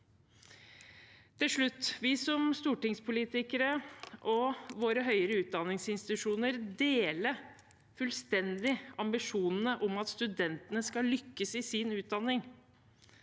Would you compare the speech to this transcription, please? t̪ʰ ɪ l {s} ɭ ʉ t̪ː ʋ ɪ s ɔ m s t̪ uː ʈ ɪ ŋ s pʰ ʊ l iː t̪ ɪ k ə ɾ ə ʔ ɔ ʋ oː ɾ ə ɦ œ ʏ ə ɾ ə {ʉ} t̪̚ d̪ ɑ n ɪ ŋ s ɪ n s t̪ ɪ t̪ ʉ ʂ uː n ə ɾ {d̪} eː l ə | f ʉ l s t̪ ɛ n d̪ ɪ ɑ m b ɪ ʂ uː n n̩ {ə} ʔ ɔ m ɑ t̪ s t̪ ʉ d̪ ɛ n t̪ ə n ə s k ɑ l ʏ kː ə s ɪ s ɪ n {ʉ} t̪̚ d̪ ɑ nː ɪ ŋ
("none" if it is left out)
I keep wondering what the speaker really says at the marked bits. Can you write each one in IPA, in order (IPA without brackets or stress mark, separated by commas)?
ʂ, ʉː, d̪, ə, ʉː